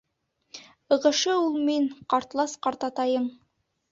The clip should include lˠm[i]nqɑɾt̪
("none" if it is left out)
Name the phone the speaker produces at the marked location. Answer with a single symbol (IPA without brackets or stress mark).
i